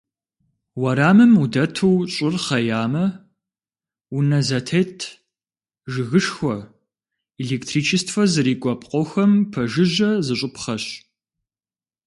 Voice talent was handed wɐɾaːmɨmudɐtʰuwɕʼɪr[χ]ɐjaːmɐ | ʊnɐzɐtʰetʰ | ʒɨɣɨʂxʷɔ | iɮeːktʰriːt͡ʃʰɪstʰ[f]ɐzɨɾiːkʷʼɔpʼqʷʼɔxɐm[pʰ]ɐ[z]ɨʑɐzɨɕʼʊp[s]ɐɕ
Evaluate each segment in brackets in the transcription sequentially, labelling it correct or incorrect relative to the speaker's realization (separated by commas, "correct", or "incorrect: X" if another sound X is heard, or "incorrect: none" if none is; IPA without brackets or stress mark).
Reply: correct, correct, correct, incorrect: ʒ, incorrect: χ